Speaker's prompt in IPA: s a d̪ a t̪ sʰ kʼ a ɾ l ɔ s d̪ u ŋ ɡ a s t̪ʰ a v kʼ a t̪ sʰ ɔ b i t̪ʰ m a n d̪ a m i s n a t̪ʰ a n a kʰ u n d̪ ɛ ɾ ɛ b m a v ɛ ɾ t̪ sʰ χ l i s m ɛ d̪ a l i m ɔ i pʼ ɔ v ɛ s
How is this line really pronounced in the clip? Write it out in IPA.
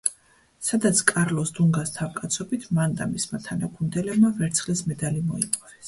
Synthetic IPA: s a d̪ a t̪ sʰ kʼ a ɾ l ɔ s d̪ u ŋ ɡ a s t̪ʰ a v kʼ a t̪ sʰ ɔ b i t̪ʰ m a n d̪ a m i s m a t̪ʰ a n a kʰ u n d̪ ɛ l ɛ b m a v ɛ ɾ t̪ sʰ χ l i s m ɛ d̪ a l i m ɔ i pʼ ɔ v ɛ s